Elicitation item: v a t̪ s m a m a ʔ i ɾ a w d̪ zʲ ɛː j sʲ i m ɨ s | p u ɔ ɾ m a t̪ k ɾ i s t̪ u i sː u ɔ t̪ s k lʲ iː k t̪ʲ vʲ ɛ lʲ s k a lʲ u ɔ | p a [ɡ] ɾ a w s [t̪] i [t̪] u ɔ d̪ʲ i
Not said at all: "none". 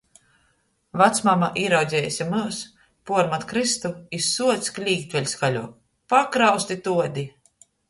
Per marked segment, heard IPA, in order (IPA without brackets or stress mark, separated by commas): k, t̪, t̪